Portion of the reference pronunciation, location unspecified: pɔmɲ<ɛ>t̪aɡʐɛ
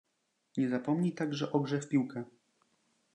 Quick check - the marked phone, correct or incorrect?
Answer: incorrect